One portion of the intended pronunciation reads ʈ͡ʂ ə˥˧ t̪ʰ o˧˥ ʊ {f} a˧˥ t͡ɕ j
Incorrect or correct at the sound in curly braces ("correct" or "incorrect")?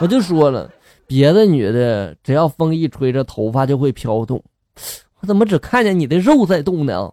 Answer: correct